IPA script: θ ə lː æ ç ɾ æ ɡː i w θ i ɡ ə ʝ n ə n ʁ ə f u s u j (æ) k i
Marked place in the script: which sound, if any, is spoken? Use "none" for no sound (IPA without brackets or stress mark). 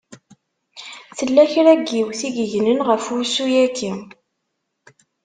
æ